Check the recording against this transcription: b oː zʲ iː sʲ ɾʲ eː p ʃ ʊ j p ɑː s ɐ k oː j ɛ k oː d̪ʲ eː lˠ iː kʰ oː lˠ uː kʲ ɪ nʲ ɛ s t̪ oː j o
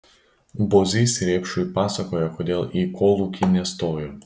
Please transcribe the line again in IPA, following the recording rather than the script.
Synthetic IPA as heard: b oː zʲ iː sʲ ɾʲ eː p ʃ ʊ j p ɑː s ɐ k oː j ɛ k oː d̪ʲ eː lˠ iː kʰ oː lˠ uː kʲ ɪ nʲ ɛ s t̪ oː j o